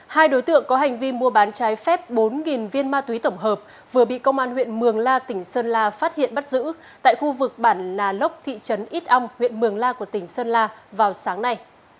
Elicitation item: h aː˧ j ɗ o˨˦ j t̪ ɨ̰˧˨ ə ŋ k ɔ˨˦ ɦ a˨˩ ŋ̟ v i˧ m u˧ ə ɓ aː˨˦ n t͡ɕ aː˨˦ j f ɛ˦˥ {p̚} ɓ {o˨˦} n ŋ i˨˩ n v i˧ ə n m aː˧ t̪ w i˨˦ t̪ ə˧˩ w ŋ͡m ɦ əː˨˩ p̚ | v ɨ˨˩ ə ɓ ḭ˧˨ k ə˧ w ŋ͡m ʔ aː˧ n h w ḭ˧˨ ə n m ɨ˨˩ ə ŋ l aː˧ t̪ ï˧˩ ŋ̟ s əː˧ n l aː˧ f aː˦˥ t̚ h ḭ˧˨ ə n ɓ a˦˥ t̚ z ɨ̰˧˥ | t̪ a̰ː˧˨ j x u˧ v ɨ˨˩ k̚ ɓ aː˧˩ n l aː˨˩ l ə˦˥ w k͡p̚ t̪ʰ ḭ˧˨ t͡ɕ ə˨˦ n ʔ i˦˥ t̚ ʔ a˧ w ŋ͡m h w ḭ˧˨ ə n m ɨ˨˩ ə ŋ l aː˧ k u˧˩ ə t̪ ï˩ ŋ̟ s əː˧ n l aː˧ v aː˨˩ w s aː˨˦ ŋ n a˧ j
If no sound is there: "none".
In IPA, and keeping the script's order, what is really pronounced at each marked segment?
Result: p̚, o˨˦

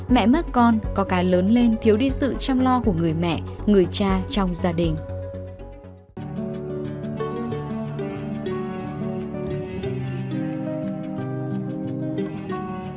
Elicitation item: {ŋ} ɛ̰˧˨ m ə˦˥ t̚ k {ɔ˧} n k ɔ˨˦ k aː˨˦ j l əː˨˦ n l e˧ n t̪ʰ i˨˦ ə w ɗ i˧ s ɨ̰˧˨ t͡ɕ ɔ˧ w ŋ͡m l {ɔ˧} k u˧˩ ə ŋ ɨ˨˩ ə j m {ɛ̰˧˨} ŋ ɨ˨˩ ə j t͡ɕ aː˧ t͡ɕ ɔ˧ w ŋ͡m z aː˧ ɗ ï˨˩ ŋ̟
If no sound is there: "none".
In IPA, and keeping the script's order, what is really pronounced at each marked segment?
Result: m, ɔ˧, ɔ˧, ɛ̰˧˨

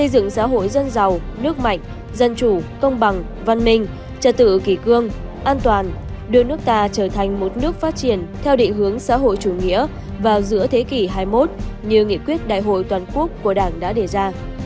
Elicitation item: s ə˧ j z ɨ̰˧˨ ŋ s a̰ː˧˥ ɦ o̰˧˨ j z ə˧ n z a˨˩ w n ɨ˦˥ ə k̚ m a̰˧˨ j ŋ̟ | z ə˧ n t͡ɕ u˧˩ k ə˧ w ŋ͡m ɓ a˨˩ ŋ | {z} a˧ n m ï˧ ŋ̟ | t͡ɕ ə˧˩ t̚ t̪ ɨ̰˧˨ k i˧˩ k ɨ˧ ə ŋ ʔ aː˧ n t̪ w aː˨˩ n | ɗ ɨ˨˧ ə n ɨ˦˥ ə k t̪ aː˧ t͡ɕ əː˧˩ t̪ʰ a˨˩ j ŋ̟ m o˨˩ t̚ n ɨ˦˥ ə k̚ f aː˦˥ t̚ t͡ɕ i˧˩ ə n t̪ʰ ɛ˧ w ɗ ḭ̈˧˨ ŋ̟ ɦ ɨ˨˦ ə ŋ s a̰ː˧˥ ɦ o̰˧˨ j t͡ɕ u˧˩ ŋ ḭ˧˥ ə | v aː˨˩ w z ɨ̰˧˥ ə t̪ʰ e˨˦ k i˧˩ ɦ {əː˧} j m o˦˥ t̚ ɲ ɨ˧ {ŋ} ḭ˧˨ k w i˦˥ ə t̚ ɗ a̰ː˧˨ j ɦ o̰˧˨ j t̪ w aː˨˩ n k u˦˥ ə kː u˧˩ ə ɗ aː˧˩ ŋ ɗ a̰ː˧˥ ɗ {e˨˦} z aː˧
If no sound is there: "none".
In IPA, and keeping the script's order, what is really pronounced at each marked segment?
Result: v, aː˧, ŋ, e˧˩

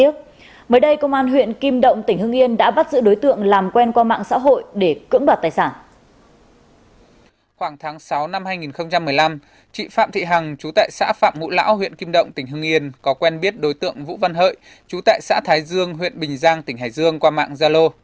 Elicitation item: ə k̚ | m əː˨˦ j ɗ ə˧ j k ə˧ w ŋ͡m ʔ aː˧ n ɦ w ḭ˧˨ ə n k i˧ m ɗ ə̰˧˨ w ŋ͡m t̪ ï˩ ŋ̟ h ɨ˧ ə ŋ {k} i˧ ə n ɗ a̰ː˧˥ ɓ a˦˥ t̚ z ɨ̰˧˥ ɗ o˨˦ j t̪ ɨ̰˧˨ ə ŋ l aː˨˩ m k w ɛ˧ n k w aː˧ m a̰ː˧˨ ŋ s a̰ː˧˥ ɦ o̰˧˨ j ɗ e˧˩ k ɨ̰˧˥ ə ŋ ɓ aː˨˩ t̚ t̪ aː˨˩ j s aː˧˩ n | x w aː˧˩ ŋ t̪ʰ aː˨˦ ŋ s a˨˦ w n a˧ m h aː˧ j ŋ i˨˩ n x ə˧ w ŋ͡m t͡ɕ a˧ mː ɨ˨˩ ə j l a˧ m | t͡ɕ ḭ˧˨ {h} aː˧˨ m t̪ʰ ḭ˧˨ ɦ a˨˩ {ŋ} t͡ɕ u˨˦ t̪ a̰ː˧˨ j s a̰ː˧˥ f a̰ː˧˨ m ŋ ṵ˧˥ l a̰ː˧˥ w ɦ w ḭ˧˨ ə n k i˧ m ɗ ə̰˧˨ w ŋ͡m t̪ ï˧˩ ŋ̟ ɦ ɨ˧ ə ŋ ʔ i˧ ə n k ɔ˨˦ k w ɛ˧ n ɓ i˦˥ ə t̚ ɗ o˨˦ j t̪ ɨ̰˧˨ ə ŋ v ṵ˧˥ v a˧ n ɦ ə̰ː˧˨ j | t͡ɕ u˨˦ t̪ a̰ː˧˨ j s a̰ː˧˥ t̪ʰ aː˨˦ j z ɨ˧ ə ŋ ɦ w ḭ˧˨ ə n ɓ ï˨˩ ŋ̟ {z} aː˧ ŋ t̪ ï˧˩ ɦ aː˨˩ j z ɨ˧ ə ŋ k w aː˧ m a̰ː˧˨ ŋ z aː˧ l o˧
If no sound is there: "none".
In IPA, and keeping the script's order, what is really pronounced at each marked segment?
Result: ʔ, f, ŋ, z

